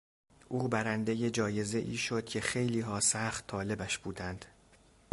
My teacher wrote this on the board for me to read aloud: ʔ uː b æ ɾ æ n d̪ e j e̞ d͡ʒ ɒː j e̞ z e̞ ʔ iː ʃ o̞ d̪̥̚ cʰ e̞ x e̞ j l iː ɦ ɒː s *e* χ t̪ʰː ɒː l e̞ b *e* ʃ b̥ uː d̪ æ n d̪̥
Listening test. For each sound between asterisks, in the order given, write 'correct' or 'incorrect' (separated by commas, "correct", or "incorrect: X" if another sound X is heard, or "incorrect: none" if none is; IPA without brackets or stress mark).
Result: incorrect: æ, incorrect: æ